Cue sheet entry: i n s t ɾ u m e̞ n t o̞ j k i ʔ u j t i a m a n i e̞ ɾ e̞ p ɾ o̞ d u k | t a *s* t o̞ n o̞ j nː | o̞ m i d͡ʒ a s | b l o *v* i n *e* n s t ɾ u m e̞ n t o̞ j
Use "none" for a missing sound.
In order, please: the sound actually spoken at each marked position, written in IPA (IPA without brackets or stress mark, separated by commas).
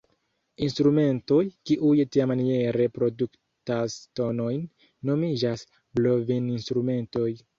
s, v, i